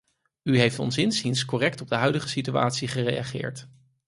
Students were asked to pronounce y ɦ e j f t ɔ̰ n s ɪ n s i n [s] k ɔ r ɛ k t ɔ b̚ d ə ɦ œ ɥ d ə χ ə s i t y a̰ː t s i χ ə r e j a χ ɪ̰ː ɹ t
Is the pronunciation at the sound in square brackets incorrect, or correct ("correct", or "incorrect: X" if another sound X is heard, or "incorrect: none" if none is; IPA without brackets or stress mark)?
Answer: correct